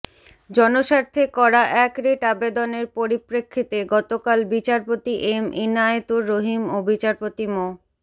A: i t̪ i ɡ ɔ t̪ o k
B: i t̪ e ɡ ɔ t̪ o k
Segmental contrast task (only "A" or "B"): B